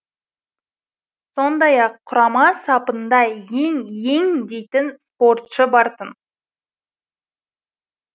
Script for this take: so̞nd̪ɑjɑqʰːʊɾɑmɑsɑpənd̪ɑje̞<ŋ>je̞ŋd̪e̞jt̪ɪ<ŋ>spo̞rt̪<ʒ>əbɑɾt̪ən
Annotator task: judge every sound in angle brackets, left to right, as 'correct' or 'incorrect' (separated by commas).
correct, incorrect, incorrect